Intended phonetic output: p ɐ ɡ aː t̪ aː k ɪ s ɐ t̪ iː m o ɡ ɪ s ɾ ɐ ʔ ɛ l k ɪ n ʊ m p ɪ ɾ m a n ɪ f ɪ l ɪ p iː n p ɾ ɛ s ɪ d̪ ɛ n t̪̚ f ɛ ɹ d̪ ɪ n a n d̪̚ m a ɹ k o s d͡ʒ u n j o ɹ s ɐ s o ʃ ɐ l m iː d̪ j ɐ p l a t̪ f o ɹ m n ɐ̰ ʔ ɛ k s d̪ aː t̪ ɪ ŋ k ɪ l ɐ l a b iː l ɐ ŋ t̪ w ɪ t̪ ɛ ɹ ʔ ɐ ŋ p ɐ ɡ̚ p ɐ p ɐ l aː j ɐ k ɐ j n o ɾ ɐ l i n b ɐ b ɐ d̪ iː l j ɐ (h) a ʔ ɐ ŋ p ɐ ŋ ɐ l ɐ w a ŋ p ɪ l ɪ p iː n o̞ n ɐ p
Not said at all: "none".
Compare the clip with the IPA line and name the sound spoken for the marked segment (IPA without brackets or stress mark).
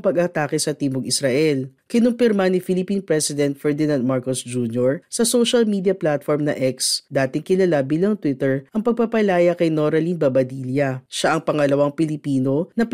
ʃ